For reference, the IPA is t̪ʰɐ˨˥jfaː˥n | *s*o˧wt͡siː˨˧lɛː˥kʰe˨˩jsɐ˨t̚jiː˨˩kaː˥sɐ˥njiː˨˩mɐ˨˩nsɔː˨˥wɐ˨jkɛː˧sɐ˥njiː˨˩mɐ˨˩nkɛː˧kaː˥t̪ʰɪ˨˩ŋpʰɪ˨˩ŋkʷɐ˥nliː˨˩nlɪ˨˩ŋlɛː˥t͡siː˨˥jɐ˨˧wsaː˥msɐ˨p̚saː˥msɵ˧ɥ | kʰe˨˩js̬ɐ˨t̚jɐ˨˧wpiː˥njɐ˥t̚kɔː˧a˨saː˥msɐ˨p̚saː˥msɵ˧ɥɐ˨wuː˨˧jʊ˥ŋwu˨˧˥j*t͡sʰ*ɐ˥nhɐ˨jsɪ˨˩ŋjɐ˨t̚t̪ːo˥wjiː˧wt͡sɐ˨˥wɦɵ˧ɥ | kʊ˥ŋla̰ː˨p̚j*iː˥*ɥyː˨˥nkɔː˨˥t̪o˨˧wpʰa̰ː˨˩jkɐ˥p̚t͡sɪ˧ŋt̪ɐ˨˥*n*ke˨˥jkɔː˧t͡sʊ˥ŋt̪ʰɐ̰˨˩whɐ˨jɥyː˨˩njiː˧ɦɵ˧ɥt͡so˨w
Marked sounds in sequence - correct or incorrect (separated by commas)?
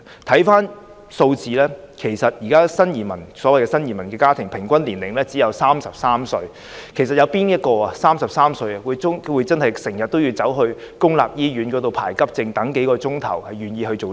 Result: correct, incorrect, correct, incorrect